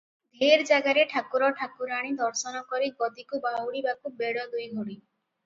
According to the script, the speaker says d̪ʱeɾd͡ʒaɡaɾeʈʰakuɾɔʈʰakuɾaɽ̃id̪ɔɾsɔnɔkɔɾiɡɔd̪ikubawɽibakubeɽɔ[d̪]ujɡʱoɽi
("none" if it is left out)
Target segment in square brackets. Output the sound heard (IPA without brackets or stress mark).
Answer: d̪